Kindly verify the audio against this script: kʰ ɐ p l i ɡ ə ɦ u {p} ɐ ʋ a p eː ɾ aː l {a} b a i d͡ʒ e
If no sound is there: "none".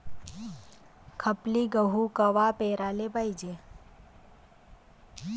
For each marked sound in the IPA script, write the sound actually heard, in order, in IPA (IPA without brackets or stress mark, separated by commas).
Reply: k, e